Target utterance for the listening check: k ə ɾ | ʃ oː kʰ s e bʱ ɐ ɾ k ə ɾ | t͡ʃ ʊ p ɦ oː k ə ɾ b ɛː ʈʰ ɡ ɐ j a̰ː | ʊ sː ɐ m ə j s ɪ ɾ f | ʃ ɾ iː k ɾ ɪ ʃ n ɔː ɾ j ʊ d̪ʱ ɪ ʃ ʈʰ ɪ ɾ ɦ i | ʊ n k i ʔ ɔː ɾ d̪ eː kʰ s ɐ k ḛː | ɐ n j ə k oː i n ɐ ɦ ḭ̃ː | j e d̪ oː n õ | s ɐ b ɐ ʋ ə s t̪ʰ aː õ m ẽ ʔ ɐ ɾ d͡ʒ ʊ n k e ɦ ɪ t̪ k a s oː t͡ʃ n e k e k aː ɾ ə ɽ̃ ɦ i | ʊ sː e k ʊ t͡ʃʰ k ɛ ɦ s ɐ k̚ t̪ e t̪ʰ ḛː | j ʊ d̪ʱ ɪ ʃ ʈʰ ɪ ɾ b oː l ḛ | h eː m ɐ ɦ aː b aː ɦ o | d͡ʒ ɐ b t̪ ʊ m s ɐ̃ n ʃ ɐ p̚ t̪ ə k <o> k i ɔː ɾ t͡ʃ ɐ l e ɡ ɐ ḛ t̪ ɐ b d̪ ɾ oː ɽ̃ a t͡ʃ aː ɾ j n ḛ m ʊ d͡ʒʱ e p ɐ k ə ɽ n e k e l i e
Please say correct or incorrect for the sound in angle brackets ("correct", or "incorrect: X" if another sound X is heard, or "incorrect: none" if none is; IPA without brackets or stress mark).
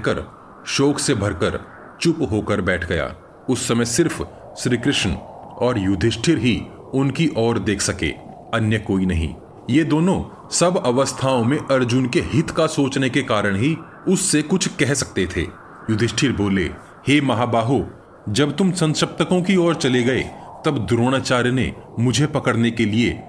incorrect: õ